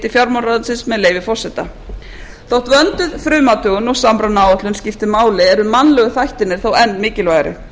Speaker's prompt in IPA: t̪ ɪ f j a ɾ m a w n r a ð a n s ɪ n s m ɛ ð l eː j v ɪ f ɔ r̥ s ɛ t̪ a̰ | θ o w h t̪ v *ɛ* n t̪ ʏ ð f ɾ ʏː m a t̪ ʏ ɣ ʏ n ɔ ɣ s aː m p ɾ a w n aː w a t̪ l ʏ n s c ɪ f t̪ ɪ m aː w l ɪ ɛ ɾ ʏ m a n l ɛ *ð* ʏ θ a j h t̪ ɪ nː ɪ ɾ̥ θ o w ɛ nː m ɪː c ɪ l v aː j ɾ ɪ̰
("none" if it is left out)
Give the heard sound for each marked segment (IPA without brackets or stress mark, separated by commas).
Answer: œ, ɣ